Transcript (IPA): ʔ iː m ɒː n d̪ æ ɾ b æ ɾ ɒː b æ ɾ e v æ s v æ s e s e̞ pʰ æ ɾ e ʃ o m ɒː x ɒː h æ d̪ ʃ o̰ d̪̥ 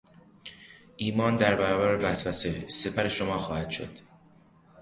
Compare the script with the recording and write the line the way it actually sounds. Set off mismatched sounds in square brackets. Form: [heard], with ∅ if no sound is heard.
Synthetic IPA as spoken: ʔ iː m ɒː n d̪ æ ɾ b æ ɾ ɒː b æ ɾ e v æ s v æ s e s e̞ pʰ æ ɾ e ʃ o m ɒː x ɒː h æ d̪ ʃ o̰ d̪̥